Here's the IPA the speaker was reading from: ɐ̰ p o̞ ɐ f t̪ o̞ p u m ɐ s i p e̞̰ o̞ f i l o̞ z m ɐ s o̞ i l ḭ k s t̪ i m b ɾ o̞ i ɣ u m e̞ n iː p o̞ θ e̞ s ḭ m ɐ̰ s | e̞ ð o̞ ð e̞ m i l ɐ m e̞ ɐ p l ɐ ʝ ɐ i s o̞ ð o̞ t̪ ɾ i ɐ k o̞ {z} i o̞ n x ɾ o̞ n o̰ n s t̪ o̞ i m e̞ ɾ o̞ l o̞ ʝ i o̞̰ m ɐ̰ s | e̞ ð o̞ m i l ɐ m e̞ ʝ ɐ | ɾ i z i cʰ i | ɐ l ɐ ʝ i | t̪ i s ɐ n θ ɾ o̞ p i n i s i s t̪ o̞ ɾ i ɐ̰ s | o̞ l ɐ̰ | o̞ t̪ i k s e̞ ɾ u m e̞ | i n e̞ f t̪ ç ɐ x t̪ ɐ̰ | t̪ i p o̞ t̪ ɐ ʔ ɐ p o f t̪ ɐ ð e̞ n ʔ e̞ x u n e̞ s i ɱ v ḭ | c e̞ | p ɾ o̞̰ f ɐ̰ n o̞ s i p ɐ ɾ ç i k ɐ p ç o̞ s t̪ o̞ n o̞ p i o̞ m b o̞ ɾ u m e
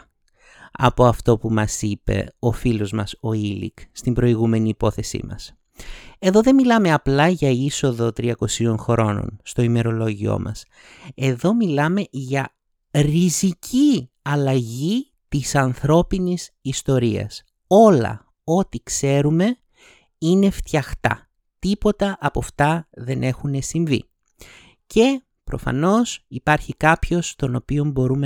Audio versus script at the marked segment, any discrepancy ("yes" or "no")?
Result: yes